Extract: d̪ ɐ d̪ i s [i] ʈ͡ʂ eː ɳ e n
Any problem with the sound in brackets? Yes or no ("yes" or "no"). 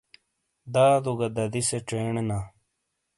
yes